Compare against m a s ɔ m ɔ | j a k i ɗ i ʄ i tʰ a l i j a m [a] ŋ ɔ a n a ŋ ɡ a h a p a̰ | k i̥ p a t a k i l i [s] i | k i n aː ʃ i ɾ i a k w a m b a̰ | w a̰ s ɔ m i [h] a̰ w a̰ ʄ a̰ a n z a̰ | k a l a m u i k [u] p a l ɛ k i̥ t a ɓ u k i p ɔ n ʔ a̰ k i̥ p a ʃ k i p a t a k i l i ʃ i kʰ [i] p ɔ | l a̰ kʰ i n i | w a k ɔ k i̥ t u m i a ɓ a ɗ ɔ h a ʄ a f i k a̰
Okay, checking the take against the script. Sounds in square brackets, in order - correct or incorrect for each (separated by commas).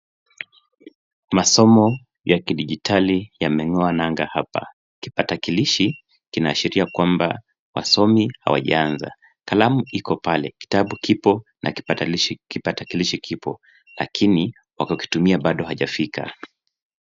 incorrect, incorrect, correct, incorrect, correct